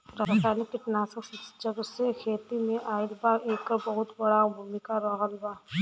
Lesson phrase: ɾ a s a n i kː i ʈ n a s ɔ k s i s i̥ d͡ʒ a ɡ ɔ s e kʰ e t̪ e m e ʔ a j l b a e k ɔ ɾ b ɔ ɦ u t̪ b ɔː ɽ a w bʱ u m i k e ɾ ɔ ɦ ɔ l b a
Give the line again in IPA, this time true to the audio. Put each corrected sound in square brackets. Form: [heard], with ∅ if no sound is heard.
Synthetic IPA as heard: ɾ a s a n i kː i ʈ n a s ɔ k s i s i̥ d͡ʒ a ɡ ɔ s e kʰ e t̪ [i] m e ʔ a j l b a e k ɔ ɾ b ɔ ɦ u t̪ b [ɔ] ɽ a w bʱ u m i k [a] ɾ ɔ ɦ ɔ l b a